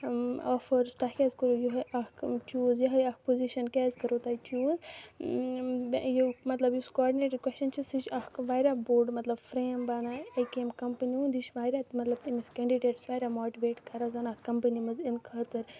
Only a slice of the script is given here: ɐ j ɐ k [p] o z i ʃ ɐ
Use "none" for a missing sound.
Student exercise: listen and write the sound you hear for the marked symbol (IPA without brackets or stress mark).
p